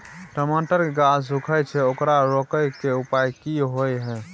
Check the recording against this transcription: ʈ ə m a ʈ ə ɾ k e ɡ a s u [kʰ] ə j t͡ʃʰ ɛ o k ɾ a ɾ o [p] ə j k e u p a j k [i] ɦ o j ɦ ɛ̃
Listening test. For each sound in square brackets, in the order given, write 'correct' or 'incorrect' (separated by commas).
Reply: correct, incorrect, correct